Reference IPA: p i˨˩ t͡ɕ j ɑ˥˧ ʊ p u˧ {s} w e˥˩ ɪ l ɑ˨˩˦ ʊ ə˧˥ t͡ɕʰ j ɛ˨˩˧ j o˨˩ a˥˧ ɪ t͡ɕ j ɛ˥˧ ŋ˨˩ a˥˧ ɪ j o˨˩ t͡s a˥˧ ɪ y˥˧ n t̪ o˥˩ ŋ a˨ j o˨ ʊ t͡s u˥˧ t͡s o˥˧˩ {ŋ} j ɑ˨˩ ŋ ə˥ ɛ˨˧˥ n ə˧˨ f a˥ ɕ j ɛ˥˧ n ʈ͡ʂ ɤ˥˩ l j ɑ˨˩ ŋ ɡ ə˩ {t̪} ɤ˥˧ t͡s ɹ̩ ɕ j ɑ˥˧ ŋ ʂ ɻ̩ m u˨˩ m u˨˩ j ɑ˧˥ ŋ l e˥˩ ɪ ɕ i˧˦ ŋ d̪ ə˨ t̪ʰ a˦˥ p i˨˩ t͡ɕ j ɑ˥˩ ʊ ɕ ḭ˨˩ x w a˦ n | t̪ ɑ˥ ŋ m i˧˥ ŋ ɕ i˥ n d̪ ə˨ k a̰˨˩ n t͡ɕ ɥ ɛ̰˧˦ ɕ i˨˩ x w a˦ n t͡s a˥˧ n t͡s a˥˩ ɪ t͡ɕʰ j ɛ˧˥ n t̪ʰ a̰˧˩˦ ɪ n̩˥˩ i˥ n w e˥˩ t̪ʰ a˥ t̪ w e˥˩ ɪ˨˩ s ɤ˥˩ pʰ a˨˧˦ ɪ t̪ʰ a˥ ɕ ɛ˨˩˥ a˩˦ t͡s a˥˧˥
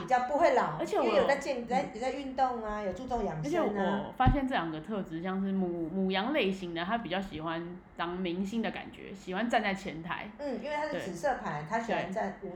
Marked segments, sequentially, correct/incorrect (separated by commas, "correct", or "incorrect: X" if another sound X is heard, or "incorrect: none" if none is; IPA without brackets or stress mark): incorrect: x, correct, incorrect: t̪ʰ